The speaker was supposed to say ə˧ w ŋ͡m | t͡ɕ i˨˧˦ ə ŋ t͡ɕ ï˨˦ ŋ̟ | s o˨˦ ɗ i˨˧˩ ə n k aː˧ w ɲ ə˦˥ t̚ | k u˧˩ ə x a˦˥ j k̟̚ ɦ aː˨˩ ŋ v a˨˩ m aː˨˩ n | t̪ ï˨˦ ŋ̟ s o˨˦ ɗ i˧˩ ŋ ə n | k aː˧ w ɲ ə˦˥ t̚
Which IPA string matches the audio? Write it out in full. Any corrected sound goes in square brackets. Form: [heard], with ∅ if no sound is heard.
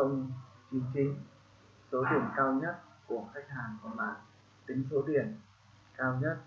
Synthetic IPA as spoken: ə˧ w ŋ͡m | t͡ɕ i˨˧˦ ə ŋ t͡ɕ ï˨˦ ŋ̟ | s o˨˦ ɗ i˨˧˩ ə n k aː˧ w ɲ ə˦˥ t̚ | k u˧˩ ə x a˦˥ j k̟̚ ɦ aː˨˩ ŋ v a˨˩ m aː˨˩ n | t̪ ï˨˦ ŋ̟ s o˨˦ ɗ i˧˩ [∅] ə n | k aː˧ w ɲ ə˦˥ t̚